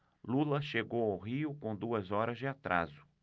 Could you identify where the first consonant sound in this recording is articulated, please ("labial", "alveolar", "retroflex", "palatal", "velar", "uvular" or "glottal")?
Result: alveolar